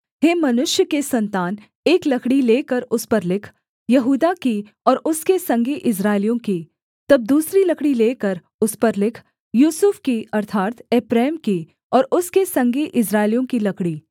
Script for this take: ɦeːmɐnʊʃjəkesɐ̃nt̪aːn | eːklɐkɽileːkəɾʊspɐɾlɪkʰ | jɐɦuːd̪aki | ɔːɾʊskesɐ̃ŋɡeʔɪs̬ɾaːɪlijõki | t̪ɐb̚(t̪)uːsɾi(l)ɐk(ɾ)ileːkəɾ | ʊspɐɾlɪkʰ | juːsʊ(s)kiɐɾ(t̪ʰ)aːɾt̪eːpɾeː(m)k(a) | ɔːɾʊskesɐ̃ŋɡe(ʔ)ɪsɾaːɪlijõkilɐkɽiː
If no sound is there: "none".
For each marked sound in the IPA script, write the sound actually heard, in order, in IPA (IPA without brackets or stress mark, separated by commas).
d̪, l, ɽ, f, t̪ʰ, m, i, ʔ